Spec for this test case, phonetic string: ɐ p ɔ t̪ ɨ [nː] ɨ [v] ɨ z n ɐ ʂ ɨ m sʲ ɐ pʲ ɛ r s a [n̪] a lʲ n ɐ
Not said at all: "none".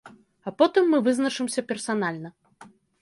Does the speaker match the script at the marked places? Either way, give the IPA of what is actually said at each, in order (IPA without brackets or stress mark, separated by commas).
mː, v, n̪